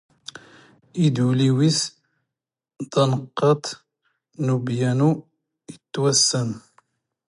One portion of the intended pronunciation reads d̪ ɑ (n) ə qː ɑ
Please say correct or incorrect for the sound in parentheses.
correct